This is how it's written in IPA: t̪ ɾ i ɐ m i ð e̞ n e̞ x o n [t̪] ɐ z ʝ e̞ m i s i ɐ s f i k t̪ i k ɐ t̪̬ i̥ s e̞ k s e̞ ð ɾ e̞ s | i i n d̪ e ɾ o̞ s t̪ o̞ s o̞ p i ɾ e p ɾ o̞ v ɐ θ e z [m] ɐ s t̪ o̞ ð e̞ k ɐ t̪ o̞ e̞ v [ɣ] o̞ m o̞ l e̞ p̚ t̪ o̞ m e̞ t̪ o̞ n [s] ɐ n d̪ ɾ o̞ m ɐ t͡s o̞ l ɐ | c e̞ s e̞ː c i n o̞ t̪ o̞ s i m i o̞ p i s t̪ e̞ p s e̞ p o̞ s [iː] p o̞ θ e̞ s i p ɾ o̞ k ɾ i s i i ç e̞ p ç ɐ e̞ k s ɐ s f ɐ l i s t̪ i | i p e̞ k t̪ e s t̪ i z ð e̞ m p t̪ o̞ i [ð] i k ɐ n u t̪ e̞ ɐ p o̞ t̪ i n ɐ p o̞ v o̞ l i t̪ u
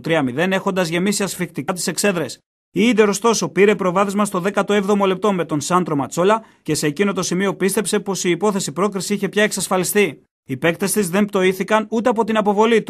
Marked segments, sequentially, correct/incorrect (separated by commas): incorrect, correct, incorrect, correct, correct, incorrect